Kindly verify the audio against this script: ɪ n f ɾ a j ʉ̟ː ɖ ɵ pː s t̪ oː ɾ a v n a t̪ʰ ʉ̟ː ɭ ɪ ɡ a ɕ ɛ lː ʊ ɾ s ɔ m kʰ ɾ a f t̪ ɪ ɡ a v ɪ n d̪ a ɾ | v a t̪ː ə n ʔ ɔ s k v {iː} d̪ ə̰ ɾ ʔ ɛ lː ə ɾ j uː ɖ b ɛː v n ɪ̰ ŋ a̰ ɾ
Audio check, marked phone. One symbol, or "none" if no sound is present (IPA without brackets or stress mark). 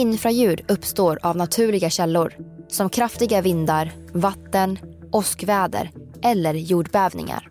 ɛː